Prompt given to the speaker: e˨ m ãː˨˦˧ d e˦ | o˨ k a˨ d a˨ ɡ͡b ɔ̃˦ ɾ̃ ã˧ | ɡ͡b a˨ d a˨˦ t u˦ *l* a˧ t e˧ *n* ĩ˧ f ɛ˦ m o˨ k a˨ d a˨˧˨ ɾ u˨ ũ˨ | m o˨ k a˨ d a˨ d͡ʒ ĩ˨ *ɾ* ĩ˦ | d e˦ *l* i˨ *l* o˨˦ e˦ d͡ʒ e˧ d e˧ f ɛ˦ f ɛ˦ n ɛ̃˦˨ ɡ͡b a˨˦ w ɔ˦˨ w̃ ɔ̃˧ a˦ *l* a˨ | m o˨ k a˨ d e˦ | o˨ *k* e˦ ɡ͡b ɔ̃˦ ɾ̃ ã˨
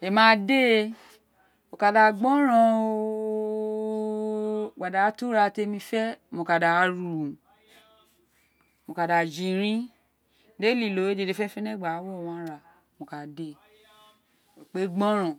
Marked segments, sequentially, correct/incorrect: incorrect: ɾ, incorrect: m, correct, correct, correct, incorrect: ɾ, incorrect: k͡p

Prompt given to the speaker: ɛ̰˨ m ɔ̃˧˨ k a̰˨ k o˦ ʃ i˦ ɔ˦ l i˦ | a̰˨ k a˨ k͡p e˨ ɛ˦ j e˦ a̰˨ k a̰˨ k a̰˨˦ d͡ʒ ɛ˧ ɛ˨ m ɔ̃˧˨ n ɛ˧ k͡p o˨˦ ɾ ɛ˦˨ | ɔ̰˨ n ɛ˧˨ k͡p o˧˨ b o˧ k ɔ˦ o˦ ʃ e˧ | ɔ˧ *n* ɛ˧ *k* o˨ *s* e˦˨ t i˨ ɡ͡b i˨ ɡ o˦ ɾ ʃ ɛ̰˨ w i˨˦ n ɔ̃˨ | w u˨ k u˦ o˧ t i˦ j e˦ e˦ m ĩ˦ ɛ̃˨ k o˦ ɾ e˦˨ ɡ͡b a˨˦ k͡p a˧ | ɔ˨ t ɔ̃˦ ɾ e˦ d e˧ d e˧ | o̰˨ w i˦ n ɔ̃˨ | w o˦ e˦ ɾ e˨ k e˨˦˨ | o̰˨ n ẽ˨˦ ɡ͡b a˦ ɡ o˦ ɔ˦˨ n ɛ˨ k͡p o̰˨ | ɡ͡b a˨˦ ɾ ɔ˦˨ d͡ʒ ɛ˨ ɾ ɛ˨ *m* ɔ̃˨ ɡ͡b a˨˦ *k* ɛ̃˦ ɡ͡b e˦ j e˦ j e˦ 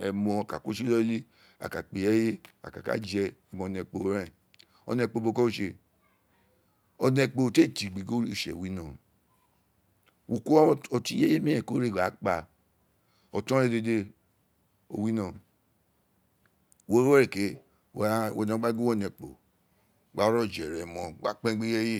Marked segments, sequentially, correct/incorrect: correct, incorrect: k͡p, incorrect: t, correct, incorrect: k͡p

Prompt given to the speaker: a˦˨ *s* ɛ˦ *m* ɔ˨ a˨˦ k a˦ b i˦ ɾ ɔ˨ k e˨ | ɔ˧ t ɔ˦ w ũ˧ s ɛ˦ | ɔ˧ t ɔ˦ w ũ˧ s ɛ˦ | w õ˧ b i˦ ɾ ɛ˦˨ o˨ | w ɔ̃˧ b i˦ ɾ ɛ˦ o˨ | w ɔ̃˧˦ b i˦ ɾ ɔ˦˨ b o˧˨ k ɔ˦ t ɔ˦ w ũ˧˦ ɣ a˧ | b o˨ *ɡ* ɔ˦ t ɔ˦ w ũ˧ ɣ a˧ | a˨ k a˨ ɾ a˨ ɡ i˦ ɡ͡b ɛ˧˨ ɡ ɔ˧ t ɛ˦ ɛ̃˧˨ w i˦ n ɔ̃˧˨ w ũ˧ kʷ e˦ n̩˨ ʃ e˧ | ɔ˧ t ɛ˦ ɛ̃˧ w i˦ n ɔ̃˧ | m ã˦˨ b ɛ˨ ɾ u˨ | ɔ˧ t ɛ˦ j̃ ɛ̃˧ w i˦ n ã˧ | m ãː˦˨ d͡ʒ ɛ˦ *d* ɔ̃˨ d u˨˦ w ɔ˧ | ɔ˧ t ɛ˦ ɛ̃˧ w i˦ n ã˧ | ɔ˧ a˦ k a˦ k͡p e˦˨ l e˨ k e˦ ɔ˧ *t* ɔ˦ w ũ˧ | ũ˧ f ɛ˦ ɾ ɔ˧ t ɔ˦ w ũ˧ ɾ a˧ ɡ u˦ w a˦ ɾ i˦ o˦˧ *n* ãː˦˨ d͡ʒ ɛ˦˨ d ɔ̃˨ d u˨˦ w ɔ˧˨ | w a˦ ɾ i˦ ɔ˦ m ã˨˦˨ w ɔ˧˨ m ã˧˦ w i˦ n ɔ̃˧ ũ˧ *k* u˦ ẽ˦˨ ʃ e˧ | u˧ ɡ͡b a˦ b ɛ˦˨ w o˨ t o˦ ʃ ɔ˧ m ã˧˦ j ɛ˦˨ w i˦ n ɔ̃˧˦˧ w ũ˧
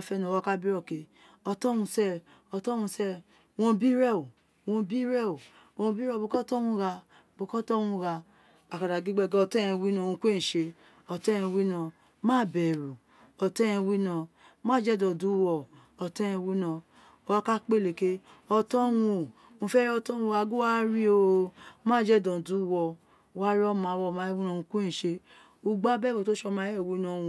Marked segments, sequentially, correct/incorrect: incorrect: f, incorrect: n, incorrect: k, correct, correct, incorrect: m, correct

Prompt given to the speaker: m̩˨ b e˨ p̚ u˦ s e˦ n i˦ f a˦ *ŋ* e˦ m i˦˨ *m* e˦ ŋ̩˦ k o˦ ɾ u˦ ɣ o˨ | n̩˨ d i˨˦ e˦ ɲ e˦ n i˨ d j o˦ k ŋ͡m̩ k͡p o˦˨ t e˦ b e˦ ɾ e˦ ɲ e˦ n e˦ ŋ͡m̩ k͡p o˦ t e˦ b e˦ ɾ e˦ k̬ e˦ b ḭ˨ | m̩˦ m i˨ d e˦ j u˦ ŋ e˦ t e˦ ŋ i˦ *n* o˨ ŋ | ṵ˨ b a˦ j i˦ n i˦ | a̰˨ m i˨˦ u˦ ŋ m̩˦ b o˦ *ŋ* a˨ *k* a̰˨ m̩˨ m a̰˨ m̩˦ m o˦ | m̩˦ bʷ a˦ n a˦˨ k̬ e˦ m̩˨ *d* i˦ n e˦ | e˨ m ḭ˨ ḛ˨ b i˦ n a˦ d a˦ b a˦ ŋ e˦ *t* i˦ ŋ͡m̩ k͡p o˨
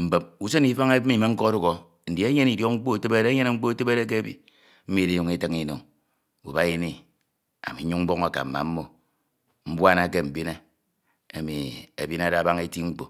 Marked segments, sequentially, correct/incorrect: correct, correct, correct, correct, correct, incorrect: b, correct

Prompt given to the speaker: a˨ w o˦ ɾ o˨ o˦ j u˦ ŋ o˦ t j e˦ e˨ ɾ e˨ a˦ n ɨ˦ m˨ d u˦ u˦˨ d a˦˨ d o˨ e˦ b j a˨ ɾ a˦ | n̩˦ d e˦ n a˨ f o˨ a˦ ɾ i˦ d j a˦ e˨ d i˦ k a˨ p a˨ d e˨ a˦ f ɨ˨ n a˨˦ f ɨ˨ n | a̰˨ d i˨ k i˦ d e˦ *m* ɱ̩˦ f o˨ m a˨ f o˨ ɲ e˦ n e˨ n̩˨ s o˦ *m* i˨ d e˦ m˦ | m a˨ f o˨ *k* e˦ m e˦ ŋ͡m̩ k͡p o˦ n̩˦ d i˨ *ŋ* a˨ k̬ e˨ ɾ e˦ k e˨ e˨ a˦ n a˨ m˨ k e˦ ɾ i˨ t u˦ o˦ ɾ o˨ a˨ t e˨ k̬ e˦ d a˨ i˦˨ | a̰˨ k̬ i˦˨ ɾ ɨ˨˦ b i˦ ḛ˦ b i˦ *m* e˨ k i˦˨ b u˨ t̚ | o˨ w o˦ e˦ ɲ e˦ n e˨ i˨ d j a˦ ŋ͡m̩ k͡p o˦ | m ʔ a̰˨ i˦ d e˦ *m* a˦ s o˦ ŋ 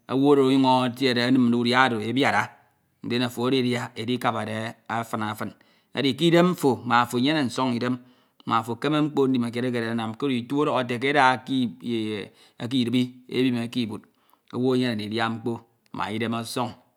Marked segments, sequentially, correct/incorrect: correct, incorrect: ŋ, correct, incorrect: m, correct, correct

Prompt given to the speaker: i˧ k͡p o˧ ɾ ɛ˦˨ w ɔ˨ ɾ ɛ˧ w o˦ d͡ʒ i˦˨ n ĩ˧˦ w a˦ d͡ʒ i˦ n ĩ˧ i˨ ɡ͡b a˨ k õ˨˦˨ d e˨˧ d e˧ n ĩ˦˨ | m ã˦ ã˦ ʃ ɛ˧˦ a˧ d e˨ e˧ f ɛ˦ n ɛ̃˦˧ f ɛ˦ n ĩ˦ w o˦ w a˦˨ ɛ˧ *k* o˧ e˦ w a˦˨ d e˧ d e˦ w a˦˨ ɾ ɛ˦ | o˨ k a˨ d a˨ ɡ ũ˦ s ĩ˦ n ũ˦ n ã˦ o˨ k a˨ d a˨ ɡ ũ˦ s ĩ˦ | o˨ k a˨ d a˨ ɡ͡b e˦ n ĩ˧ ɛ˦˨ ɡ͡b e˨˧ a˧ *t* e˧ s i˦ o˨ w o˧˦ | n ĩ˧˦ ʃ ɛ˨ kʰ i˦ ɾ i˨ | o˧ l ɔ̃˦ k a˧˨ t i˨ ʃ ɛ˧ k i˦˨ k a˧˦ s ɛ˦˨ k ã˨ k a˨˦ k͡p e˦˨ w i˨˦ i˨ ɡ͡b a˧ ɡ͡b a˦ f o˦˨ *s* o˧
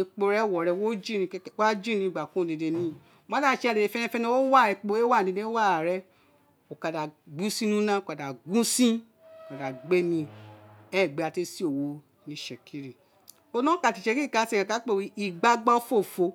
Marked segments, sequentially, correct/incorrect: incorrect: k͡p, correct, incorrect: f

